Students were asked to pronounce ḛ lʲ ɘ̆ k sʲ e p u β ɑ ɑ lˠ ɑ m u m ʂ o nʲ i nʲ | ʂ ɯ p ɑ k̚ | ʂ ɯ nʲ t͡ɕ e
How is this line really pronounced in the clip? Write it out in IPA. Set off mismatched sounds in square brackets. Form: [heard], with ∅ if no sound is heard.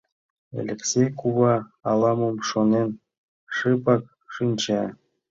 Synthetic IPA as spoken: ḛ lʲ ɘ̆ k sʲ e [k] u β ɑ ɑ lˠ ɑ m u m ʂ o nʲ [e] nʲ | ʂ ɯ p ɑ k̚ | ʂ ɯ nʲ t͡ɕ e